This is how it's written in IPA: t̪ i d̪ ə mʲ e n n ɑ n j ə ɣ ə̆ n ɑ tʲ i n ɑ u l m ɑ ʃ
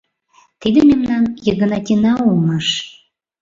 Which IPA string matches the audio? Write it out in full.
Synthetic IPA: t̪ i d̪ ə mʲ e m n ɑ n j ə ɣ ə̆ n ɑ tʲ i n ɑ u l m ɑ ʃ